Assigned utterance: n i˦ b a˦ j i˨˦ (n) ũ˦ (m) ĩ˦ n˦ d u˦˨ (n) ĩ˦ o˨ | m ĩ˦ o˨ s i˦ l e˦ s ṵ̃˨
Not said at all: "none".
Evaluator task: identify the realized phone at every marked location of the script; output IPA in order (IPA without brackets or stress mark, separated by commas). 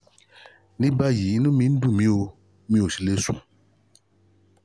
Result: n, m, m